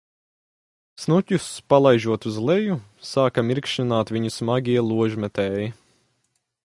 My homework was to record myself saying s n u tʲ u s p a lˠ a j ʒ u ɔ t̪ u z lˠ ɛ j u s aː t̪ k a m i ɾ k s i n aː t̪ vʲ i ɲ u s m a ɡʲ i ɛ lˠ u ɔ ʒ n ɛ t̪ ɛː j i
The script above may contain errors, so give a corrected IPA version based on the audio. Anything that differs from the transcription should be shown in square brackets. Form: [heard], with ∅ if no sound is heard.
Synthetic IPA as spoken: s n u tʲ u s p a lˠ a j ʒ u ɔ t̪ u z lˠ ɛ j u s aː [∅] k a m i ɾ k [ʃ] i n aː t̪ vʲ i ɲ u s m a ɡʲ i ɛ lˠ u ɔ ʒ [m] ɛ t̪ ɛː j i